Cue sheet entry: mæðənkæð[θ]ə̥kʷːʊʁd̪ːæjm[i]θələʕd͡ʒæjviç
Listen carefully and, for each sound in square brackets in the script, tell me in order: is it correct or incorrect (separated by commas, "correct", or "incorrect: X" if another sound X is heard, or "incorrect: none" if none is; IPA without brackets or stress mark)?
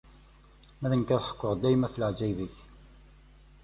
incorrect: ħ, incorrect: æ